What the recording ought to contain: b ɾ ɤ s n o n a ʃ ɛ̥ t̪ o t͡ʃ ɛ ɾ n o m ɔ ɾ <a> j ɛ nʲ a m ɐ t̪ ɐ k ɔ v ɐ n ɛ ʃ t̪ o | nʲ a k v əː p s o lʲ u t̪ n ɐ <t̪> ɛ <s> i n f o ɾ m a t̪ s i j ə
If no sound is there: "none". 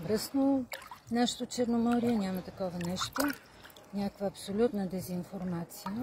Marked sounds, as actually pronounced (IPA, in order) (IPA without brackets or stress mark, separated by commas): i, d̪, z